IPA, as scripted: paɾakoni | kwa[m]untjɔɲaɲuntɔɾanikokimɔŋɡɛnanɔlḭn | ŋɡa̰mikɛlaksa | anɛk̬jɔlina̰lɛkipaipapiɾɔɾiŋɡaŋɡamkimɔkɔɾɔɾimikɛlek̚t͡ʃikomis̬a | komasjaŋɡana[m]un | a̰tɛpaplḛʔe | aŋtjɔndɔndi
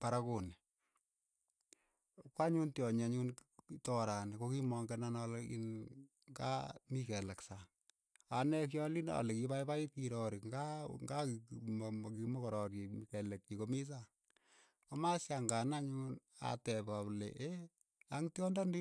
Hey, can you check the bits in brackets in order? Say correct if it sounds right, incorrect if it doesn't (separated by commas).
incorrect, incorrect